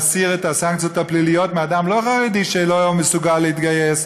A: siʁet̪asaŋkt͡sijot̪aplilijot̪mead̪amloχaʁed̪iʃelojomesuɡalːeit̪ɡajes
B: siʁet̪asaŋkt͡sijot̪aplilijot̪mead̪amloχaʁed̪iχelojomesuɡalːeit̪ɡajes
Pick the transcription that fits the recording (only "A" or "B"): A